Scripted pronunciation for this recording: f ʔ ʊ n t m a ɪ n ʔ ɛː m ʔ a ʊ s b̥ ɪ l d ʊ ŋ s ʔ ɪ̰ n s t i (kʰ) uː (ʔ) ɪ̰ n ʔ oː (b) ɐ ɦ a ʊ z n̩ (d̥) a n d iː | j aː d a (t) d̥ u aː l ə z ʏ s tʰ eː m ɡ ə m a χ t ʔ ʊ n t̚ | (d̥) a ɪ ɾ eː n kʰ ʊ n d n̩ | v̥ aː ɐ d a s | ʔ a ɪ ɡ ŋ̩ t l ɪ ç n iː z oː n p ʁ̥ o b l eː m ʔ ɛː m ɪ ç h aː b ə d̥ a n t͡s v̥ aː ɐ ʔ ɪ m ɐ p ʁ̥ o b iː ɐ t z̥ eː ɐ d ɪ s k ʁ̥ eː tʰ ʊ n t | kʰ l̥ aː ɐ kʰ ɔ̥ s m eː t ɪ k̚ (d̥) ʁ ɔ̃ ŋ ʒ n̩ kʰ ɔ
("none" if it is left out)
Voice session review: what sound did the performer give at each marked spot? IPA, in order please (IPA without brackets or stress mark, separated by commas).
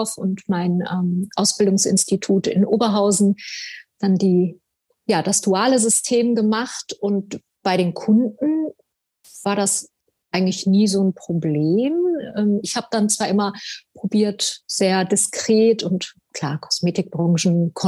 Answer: tʰ, t, b, d̥, s, b̥, b̥